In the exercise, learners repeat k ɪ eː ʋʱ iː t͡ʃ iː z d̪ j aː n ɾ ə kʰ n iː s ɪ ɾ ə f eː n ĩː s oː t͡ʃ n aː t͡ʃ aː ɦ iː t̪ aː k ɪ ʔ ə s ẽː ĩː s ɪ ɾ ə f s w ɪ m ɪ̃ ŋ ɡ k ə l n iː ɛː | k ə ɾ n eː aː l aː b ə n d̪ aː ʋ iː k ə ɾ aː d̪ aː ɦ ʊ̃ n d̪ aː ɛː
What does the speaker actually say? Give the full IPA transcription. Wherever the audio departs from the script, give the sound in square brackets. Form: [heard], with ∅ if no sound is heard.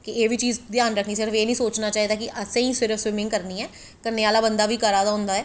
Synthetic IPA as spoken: k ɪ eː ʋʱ iː t͡ʃ iː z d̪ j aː n ɾ ə kʰ n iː s ɪ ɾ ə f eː n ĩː s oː t͡ʃ n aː t͡ʃ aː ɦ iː [d̪] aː k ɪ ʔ ə s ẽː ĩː s ɪ ɾ ə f s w ɪ m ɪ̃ ŋ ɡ k ə [ɾ] n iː ɛː | k ə ɾ n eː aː l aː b ə n d̪ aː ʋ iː k ə ɾ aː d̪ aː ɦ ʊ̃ n d̪ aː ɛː